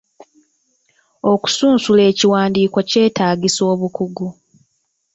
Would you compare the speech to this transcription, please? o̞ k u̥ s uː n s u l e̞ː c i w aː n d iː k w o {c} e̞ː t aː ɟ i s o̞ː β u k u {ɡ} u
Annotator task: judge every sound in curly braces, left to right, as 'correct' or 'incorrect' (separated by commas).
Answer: correct, correct